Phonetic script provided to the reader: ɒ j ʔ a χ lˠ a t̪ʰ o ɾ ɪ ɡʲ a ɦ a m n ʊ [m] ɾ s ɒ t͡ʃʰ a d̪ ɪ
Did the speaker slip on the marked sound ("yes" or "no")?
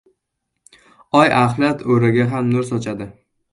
yes